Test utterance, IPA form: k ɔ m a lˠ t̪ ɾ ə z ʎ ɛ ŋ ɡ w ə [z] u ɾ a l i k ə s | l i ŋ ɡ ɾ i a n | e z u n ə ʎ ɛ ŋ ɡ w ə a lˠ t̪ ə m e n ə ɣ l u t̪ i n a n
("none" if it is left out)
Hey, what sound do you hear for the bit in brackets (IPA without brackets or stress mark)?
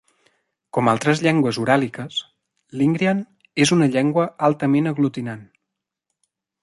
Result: z